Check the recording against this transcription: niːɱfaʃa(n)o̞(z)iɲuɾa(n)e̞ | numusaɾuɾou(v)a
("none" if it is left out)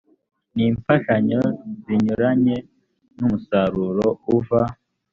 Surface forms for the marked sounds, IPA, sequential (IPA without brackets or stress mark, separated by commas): ɲ, z, ɲ, v